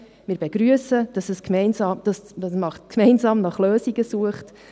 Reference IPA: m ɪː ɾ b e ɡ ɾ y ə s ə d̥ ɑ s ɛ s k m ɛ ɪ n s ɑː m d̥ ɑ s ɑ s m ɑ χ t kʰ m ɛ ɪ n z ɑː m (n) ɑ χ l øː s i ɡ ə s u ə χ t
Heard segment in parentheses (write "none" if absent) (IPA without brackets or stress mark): n